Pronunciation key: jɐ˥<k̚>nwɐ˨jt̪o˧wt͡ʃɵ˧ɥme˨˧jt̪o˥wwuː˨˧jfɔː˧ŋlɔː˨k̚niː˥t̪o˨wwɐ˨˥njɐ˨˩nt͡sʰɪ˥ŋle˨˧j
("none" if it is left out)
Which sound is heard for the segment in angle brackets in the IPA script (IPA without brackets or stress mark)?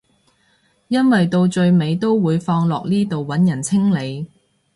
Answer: none